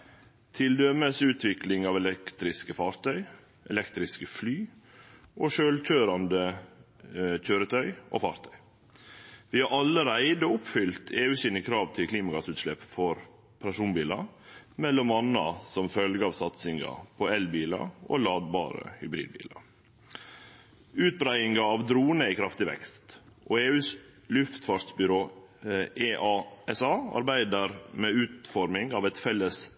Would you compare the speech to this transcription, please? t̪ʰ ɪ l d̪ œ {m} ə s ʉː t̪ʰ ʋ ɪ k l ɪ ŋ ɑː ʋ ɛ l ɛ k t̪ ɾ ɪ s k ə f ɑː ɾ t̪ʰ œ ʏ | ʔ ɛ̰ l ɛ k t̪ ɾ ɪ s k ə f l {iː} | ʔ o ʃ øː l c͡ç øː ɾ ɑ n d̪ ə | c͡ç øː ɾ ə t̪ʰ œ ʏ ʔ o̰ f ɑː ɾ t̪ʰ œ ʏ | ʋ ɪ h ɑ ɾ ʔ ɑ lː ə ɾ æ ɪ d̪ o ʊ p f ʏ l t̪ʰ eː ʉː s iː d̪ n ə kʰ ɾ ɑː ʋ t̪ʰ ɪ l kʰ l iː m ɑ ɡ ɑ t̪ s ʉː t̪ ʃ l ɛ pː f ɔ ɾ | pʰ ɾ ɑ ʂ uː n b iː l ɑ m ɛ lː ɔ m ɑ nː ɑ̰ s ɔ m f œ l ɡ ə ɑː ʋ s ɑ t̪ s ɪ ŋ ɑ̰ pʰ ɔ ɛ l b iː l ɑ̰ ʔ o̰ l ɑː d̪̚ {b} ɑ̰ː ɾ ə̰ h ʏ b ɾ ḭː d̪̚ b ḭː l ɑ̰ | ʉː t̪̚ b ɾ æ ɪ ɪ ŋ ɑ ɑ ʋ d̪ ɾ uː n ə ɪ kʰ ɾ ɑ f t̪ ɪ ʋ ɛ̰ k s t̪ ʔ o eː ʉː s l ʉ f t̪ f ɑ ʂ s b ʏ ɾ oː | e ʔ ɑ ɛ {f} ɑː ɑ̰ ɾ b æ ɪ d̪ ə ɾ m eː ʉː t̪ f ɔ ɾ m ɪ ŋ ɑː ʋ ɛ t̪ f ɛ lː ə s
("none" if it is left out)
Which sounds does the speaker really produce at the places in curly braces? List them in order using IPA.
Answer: m, yː, b, s

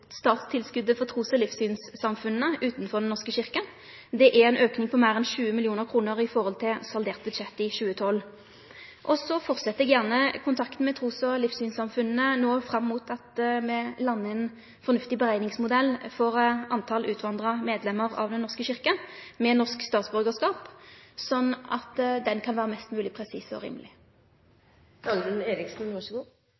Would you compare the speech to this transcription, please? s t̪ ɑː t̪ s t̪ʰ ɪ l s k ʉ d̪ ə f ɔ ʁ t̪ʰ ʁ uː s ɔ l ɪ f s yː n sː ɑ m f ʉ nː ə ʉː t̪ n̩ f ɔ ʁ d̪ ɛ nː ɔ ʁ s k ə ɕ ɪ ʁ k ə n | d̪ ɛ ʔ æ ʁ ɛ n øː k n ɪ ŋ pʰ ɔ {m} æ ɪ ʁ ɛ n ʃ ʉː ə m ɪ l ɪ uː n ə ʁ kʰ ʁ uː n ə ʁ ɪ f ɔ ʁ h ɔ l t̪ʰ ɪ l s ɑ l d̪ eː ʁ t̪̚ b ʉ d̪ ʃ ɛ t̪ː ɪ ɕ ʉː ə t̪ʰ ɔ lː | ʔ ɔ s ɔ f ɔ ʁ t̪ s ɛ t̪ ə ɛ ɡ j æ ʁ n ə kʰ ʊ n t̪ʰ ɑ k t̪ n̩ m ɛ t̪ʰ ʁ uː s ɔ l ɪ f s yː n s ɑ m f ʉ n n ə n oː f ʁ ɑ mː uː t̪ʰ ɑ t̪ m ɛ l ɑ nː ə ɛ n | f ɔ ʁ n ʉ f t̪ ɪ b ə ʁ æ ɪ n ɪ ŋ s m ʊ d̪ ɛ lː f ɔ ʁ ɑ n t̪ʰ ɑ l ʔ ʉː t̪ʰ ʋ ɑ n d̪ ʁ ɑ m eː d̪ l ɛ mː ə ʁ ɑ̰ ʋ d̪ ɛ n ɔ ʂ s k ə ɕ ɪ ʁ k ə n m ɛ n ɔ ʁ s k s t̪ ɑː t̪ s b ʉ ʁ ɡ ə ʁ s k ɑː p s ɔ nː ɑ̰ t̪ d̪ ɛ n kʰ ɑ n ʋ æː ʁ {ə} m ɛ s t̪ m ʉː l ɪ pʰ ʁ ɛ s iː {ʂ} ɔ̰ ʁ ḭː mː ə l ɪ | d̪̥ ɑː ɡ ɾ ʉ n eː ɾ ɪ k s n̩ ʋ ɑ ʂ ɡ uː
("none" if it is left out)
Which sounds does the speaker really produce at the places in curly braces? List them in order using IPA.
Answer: m, ə, s

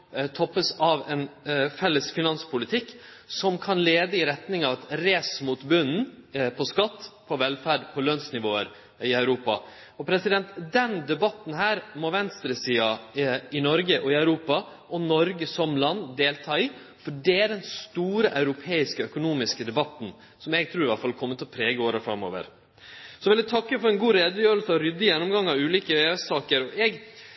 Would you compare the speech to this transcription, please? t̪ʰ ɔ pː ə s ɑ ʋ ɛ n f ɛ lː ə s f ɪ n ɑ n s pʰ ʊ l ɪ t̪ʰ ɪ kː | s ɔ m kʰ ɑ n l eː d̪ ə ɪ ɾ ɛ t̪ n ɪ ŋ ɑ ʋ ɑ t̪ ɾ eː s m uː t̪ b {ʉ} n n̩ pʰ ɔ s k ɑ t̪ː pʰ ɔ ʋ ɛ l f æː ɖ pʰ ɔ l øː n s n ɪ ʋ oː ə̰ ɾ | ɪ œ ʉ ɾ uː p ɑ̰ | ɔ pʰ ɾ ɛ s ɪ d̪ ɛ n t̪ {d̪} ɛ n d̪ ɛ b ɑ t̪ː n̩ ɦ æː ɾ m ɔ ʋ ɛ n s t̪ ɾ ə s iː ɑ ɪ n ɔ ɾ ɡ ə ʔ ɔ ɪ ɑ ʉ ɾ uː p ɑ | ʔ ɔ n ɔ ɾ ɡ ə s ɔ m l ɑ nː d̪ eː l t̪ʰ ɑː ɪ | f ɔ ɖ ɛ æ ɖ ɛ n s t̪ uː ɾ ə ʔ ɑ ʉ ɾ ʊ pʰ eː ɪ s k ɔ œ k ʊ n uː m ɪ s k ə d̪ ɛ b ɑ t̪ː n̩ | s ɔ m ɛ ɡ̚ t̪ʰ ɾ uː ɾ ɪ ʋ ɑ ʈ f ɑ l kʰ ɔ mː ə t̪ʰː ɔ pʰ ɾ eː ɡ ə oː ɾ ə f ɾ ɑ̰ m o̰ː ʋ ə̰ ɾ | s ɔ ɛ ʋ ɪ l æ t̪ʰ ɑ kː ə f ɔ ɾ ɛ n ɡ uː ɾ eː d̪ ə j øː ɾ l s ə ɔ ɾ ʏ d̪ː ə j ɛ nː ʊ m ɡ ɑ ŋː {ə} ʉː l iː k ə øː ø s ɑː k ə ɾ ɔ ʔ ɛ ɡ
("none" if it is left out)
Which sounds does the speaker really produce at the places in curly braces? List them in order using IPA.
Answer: ʉ, d̪, ɑ

